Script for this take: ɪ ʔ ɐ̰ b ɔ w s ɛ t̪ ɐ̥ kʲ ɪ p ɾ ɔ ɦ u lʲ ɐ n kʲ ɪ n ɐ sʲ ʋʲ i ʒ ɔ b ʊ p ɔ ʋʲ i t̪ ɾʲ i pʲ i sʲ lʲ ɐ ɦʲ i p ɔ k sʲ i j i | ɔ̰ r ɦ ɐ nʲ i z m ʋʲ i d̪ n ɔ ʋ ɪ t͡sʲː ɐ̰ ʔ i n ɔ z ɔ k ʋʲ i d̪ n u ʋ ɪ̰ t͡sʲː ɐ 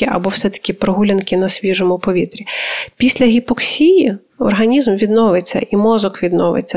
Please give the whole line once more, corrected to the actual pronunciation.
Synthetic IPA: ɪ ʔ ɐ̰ b ɔ w s ɛ t̪ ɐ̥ kʲ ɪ p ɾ ɔ ɦ u lʲ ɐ n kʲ ɪ n ɐ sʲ ʋʲ i ʒ ɔ m ʊ p ɔ ʋʲ i t̪ ɾʲ i pʲ i sʲ lʲ ɐ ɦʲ i p ɔ k sʲ i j i | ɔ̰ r ɦ ɐ nʲ i z m ʋʲ i d̪ n ɔ ʋ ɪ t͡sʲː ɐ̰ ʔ i m ɔ z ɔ k ʋʲ i d̪ n ɔ ʋ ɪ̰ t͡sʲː ɐ